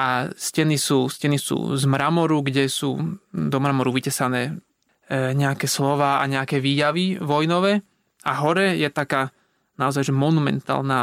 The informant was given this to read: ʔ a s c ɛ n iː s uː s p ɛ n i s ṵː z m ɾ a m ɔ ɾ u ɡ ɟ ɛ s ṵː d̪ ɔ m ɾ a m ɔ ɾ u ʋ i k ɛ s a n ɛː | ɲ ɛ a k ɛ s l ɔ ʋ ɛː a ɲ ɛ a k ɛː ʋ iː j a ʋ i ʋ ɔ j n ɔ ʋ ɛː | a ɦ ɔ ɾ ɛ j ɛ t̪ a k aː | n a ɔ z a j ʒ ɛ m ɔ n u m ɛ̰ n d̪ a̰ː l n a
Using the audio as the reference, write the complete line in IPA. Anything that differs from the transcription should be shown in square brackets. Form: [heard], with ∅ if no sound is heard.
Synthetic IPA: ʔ a s c ɛ n [i] s uː s [c] ɛ n i s ṵː z m ɾ a m ɔ ɾ u ɡ ɟ ɛ s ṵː d̪ ɔ m ɾ a m ɔ ɾ u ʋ i [c] ɛ s a n ɛː | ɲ ɛ a k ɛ s l ɔ ʋ [aː] a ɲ ɛ a k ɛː ʋ iː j a ʋ i ʋ ɔ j n ɔ ʋ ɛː | a ɦ ɔ ɾ ɛ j ɛ t̪ a k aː | n a ɔ z a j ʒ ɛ m ɔ n u m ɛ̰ n [t̪] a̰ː l n a